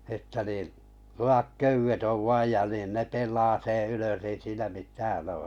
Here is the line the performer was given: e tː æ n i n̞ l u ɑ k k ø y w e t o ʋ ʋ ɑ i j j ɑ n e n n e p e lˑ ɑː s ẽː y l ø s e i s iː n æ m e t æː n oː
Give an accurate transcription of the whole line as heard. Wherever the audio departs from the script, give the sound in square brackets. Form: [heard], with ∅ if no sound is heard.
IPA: e tː æ n [iː] n̞ l u ɑ k k ø y w e t o ʋ ʋ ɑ i j j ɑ n [i] n n e p e lˑ ɑː s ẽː y l ø s e i s iː n æ m [i] t æː n oː